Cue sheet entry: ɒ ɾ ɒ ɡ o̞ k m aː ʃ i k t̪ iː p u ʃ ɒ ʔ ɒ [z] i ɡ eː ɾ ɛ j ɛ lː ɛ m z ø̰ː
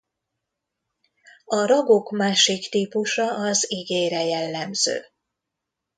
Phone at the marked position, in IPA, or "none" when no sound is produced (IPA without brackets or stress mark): z